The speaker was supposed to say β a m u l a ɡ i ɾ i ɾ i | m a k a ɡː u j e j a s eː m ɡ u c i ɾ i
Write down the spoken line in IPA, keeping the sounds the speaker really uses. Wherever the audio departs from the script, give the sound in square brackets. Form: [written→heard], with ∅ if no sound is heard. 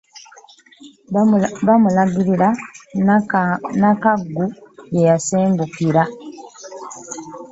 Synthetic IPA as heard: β a m u l a ɡ i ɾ i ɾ [i→a] | [m→n] a k a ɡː u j e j a s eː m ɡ u [c→k] i ɾ [i→a]

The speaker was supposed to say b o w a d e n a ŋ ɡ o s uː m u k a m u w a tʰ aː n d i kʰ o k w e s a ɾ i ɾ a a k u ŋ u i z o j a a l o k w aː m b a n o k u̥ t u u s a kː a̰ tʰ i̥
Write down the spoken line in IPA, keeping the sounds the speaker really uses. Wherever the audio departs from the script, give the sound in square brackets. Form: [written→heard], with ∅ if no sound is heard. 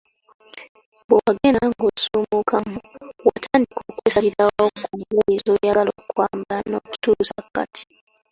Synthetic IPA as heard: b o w a [d→ɡ] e n a ŋ ɡ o s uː m u k a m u w a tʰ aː n d i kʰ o k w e s a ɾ i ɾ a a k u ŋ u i z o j a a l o k w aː m b a n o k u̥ t u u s a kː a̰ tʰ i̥

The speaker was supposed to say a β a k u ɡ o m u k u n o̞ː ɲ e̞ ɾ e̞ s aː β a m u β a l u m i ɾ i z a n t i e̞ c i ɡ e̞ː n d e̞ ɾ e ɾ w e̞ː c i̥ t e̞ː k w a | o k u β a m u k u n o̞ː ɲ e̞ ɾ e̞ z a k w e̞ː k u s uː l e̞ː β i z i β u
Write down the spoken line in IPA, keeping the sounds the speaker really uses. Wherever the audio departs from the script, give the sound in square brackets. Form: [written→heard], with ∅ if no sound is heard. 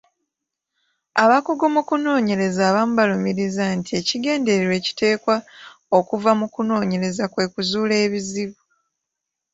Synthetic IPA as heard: a β a k u ɡ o m u k u n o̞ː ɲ e̞ ɾ e̞ [s→z] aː β a m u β a l u m i ɾ i z a n t i e̞ c i ɡ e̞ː n d e̞ ɾ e ɾ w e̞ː c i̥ t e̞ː k w a | o k u [β→v] a m u k u n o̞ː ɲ e̞ ɾ e̞ z a k w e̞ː k u [s→z] uː l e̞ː β i z i β u

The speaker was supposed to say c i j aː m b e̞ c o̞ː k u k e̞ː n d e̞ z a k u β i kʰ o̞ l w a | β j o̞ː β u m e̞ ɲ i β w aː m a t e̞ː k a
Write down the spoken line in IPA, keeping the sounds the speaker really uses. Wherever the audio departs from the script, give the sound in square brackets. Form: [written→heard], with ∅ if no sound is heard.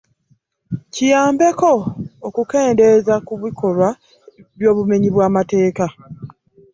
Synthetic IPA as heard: c i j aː m b e̞ [c→k] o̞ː k u k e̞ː n d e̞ z a k u β i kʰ o̞ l w a | β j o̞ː β u m e̞ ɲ i β w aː m a t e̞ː k a

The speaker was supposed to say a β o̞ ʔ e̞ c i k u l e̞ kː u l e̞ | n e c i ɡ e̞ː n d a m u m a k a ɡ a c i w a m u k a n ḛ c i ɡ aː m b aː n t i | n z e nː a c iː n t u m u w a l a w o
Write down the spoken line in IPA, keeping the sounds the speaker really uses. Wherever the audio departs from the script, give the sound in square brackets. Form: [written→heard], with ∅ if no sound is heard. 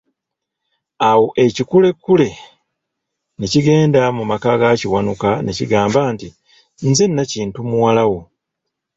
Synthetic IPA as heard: a [β→w] o̞ ʔ e̞ c i k u l e̞ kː u l e̞ | n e c i ɡ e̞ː n d a m u m a k a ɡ a c i w a [m→n] u k a n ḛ c i ɡ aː m b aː n t i | n z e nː a c iː n t u m u w a l a w o

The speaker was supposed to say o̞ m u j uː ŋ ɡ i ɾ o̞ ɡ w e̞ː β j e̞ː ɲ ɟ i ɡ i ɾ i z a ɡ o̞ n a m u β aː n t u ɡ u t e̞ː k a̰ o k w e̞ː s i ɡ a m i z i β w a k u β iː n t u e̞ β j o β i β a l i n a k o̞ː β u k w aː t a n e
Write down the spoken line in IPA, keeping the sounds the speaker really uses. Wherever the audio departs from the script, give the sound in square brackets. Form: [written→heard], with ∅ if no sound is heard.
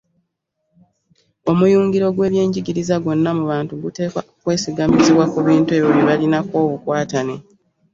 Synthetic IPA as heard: o̞ m u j uː ŋ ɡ i ɾ o̞ ɡ w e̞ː β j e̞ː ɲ ɟ i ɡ i ɾ i z a ɡ o̞ [n→nː] a m u β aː n t u ɡ u t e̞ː k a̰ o k w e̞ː s i ɡ a m i z i β w a k u β iː n t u e̞ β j o β i β a l i n a k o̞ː β u k w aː t a n e

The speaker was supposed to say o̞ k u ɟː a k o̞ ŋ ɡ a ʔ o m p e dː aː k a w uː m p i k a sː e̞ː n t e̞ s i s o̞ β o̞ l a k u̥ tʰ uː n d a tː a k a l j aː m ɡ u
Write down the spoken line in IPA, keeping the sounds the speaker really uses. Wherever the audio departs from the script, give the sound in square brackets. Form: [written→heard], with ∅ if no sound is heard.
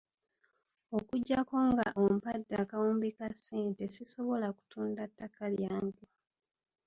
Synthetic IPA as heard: o̞ k u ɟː a k o̞ ŋ ɡ a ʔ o m p [e→a] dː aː k a w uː m [p→b] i k a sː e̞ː n t e̞ s i s o̞ β o̞ l a k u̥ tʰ uː n d a tː a k a l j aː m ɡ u

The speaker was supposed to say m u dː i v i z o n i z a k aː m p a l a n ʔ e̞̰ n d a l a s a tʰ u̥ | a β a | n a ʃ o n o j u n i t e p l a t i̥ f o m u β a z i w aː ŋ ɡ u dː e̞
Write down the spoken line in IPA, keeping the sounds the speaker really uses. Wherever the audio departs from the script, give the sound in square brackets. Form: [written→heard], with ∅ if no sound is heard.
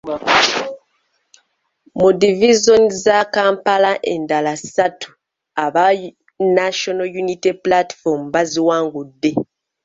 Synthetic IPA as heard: m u [dː→d] i v i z o n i z a k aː m p a l a [n→∅] ʔ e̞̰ n d a l a s a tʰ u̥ | a β a | n a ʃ o n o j u n i t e p l a t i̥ f o m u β a z i w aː ŋ ɡ u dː e̞

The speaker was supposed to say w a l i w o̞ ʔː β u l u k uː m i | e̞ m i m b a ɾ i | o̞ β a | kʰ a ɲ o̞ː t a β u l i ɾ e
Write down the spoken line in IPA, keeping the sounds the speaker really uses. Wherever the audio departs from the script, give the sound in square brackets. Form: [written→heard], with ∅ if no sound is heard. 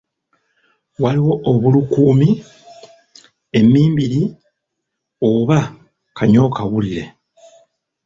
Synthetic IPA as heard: w a l i w o̞ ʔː β u l u k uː m i | e̞ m [i→iː] m b [a→i] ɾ i | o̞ β a | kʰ a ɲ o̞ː [t→k] a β u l i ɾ e

